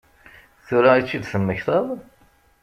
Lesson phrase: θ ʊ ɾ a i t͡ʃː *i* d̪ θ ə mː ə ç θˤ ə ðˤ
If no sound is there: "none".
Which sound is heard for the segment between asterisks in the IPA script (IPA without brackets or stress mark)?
i